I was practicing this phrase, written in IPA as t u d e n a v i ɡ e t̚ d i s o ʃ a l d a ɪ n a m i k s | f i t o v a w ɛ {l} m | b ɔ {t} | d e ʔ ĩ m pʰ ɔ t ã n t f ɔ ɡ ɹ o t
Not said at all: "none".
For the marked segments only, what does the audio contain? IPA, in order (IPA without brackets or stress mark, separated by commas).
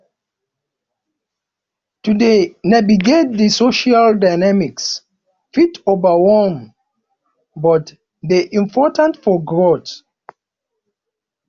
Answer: l, t